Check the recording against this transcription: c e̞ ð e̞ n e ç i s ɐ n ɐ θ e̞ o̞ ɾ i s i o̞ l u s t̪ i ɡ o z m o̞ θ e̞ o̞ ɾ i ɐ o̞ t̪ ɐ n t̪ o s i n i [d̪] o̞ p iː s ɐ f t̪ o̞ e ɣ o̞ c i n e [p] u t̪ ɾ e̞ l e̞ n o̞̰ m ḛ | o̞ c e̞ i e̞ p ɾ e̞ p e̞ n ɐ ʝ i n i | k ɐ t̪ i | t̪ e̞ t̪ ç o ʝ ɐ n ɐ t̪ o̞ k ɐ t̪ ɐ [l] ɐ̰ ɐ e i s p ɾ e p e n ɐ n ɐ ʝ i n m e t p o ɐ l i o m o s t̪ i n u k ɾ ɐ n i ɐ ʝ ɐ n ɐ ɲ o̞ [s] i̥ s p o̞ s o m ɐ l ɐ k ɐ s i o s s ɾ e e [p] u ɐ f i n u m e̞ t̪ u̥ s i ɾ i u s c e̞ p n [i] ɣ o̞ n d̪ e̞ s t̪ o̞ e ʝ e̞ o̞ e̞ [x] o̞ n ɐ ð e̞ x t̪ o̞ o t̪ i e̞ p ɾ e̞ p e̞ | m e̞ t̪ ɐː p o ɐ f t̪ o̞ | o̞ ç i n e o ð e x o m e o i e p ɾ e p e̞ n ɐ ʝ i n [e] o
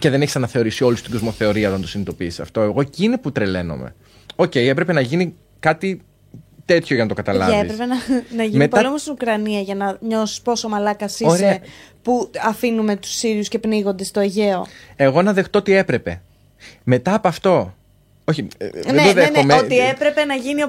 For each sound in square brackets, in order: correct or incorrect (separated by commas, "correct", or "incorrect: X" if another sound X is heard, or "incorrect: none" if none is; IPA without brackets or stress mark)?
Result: incorrect: t̪, correct, correct, correct, correct, correct, incorrect: ɣ, incorrect: i